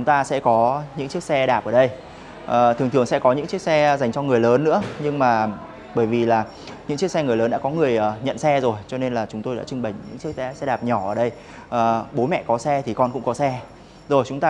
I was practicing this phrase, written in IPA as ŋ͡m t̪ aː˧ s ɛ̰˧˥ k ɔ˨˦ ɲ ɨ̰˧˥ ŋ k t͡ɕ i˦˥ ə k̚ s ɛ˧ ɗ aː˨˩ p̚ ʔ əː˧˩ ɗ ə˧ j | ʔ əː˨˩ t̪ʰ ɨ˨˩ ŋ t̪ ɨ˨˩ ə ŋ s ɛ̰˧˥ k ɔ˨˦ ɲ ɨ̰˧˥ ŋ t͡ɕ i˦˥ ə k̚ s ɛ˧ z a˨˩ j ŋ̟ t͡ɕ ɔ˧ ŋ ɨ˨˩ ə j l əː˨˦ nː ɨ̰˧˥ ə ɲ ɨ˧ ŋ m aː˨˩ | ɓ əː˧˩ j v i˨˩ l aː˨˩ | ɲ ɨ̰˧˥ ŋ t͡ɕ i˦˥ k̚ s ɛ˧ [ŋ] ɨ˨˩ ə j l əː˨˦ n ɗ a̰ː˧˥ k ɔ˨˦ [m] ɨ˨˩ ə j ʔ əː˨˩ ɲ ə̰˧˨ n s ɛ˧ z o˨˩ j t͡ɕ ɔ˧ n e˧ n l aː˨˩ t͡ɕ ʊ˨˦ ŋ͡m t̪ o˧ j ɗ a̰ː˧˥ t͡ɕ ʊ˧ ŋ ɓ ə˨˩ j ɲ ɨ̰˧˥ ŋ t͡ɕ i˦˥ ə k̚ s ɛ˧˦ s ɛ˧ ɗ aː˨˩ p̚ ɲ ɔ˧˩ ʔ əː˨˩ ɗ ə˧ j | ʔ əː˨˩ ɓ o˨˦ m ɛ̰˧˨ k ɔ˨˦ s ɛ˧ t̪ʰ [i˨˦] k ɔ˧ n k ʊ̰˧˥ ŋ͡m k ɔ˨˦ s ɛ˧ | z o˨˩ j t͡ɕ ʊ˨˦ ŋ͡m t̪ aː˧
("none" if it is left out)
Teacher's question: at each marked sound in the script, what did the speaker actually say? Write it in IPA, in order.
ŋ, ŋ, i˨˩

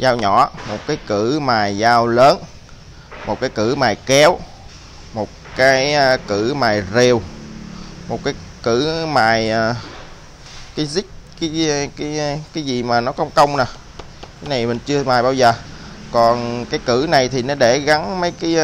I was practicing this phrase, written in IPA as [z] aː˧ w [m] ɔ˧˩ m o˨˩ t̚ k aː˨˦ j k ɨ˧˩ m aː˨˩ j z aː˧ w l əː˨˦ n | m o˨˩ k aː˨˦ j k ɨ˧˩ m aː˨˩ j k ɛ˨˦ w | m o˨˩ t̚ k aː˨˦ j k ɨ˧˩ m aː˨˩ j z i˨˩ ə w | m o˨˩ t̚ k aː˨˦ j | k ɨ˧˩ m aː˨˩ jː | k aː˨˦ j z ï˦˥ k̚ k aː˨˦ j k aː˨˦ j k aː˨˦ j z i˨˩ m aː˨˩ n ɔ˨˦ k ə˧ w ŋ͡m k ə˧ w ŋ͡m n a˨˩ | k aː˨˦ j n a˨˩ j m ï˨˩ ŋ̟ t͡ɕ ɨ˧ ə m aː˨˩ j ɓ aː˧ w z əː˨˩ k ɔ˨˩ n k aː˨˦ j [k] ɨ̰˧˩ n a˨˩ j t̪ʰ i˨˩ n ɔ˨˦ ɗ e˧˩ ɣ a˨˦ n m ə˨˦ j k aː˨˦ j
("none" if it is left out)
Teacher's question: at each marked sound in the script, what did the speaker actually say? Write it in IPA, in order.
z, ɲ, k

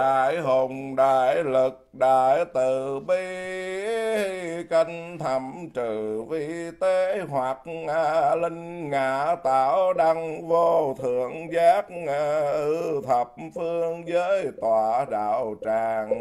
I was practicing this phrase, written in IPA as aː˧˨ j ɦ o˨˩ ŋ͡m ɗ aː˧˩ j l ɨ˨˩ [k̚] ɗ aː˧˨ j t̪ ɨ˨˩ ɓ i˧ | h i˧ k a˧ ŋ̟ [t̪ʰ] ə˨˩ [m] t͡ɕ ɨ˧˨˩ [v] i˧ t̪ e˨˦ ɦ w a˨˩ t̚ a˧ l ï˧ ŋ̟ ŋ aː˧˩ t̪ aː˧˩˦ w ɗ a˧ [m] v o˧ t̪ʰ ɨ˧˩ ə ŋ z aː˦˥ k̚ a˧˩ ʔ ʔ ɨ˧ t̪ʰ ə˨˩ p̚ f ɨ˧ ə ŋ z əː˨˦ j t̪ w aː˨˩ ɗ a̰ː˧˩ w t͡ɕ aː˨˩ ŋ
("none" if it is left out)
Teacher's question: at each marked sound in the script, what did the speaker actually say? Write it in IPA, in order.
k̚, t̪ʰ, m, v, ŋ

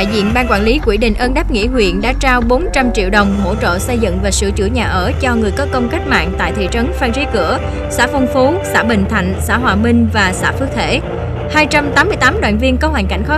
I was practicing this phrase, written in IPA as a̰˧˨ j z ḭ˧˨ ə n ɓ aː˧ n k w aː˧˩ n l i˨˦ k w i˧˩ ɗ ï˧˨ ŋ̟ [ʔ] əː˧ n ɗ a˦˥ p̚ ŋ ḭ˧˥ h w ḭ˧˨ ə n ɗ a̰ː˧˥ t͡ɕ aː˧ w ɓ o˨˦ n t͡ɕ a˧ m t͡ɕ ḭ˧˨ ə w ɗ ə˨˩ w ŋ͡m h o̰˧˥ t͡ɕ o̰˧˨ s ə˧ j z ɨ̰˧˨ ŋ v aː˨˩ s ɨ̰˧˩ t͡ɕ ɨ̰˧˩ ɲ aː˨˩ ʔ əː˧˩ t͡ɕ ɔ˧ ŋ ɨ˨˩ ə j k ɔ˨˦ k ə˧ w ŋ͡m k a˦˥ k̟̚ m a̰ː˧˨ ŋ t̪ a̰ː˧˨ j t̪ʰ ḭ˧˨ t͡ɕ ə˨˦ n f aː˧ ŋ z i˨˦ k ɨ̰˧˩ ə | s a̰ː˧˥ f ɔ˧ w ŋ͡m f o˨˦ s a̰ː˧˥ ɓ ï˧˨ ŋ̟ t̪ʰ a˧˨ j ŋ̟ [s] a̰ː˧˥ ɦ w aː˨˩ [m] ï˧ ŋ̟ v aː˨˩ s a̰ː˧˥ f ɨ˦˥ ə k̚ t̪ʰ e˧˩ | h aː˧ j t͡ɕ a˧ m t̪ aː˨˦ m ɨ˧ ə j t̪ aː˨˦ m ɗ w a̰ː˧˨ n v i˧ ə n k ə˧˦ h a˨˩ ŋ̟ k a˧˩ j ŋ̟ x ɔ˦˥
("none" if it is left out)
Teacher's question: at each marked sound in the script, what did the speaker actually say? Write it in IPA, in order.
ʔ, s, m

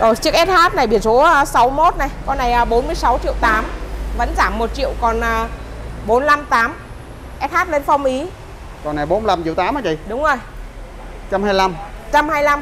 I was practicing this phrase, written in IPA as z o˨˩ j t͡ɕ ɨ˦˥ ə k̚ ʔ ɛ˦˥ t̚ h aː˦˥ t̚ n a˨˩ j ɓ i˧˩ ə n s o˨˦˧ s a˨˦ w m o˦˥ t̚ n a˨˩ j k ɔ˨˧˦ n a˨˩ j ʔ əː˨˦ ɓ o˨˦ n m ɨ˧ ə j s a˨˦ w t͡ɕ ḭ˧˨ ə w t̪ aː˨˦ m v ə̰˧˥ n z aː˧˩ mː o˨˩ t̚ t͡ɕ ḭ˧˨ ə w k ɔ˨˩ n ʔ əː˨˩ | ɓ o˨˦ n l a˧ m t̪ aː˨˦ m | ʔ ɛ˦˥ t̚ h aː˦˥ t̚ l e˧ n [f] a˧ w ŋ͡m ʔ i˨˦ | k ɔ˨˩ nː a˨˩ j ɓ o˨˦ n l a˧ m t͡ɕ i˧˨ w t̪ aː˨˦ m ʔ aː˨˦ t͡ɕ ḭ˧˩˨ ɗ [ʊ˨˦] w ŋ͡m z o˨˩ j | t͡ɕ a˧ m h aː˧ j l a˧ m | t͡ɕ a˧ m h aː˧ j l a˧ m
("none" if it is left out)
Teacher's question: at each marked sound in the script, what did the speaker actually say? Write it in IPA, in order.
f, ʊ˨˦

